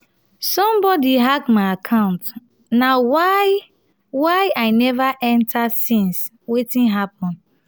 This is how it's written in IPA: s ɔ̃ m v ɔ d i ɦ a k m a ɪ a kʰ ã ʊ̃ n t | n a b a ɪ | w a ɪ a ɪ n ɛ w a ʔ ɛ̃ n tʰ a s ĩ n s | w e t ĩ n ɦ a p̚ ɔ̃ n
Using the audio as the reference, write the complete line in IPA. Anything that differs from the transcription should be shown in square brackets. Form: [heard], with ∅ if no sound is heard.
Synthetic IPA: s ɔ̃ m [b] ɔ d i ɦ a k m a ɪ a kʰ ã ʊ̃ n t | n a [w] a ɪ | w a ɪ a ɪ n ɛ [v] a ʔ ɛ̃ n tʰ a s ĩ n s | w e t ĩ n ɦ a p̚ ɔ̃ n